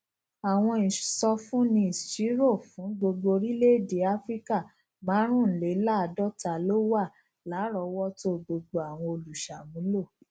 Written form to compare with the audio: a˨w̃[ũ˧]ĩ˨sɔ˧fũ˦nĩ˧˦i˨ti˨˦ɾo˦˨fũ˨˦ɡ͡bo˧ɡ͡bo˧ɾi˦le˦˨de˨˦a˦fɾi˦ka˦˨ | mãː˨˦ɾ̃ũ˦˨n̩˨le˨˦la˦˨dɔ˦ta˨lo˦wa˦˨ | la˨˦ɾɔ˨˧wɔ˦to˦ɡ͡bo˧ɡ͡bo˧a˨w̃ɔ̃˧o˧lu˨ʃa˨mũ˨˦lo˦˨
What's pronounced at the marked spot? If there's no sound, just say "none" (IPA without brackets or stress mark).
ɔ̃˧